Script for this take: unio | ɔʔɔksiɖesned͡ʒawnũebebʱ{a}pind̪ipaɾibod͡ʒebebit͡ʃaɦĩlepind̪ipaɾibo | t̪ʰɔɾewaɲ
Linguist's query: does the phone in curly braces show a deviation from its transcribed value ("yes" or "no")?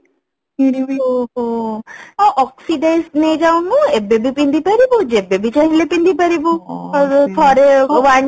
yes